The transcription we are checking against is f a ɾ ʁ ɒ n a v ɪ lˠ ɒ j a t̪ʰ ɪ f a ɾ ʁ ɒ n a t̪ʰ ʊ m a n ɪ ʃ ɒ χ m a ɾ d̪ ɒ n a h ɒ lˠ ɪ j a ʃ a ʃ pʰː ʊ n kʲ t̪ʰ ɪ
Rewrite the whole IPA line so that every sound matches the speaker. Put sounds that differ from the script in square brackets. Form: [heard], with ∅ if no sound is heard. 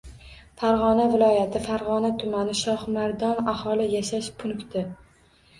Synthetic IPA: f a ɾ ʁ ɒ n a v ɪ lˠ ɒ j a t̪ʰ ɪ f a ɾ ʁ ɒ n a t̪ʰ ʊ m a n ɪ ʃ ɒ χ m a ɾ d̪ ɒ n a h ɒ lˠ ɪ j a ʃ a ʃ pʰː ʊ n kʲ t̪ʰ ɪ